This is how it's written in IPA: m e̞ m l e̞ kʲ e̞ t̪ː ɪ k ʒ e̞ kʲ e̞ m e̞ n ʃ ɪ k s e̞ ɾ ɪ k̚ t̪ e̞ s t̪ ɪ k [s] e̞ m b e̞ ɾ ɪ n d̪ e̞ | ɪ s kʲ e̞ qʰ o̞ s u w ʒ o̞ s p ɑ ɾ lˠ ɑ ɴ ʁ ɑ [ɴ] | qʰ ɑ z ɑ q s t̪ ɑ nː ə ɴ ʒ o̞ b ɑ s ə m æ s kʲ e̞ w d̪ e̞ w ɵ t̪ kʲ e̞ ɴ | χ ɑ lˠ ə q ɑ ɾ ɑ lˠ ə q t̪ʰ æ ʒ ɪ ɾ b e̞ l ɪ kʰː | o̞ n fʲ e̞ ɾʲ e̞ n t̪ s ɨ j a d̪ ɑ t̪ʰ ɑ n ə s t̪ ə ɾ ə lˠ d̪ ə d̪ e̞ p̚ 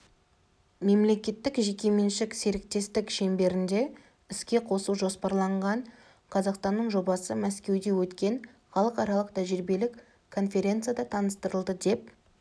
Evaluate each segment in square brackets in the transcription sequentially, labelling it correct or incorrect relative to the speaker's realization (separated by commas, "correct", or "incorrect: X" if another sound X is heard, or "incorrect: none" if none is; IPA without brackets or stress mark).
incorrect: ʃ, correct